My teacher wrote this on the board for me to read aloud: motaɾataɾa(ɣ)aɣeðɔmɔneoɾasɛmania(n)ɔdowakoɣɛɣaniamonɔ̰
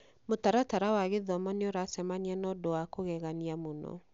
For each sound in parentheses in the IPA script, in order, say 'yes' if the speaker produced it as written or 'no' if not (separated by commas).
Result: no, yes